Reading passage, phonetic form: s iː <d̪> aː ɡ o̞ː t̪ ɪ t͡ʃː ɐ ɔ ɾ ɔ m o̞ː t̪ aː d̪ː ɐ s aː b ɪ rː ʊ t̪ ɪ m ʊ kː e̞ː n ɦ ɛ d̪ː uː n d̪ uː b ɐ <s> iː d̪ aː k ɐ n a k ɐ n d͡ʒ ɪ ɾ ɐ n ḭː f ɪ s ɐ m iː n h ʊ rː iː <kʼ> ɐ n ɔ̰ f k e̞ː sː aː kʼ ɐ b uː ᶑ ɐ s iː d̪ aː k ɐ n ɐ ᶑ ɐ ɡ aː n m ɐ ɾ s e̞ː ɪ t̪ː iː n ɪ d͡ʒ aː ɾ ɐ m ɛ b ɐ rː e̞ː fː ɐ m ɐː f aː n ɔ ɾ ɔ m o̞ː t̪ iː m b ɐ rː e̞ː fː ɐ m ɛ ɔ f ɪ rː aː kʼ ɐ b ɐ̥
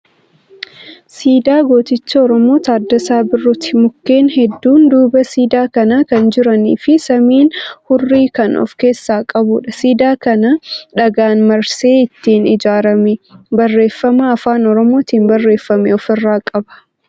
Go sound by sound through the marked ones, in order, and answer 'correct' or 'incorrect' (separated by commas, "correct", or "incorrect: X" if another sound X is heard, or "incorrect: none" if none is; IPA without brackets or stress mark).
correct, correct, incorrect: k